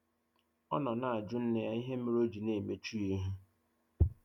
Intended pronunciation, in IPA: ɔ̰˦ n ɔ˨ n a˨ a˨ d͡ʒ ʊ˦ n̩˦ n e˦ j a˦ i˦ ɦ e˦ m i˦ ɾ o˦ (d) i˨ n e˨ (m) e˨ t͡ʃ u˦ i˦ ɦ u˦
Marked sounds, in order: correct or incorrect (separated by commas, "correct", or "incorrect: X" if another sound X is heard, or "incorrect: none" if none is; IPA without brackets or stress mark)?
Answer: incorrect: d͡ʒ, correct